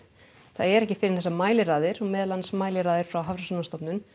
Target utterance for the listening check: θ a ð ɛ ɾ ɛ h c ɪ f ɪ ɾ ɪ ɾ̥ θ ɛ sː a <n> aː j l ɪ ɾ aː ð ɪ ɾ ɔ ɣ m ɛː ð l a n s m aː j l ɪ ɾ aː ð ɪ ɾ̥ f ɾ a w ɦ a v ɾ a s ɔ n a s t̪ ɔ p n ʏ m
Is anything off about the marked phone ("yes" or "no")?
yes